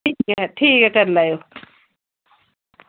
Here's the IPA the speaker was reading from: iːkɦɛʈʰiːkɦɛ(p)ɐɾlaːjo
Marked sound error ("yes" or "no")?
yes